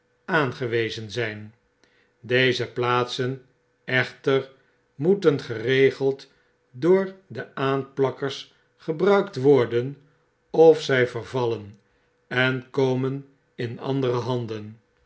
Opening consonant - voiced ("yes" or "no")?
yes